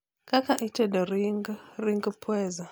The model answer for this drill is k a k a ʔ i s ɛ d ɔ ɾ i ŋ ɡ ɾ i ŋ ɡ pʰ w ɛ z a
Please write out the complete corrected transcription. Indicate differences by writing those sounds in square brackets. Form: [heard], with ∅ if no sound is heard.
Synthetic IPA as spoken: k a k a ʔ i [t] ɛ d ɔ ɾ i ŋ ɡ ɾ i ŋ ɡ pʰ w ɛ z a